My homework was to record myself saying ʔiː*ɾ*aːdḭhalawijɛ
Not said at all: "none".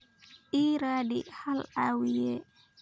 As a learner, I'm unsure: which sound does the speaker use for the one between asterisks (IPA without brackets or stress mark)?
ɾ